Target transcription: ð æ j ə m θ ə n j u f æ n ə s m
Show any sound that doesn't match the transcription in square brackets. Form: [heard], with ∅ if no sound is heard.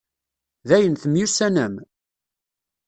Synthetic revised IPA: ð æ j ə [n] θ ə [m] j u [s] æ n ə [∅] m